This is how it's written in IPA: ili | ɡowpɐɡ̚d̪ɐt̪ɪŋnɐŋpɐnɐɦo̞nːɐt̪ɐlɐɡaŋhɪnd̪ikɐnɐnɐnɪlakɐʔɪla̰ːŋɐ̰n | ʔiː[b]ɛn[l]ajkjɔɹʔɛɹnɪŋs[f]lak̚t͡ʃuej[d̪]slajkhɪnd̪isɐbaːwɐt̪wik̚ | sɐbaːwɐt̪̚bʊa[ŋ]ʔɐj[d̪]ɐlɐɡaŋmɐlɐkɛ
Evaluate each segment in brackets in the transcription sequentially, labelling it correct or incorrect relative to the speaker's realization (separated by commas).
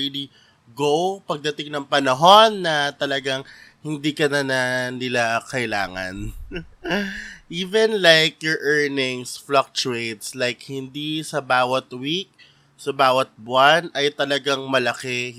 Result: incorrect, correct, correct, incorrect, incorrect, incorrect